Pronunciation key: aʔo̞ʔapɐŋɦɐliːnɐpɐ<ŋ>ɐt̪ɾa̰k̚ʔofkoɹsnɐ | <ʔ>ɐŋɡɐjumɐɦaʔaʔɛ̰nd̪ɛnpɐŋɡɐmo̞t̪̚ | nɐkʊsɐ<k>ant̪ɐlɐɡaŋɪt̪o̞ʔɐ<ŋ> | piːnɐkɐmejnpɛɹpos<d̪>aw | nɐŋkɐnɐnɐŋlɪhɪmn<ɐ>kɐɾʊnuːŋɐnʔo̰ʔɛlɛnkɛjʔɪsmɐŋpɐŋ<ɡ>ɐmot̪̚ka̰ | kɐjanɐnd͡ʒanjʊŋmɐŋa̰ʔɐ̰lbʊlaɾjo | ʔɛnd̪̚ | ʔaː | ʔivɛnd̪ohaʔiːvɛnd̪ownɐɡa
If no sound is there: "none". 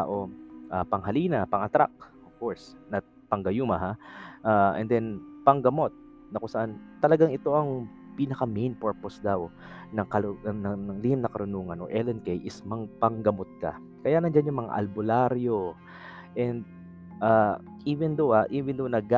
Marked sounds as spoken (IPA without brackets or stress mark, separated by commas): ŋ, p, ʔ, ŋ, d̪, ɐ, ɡ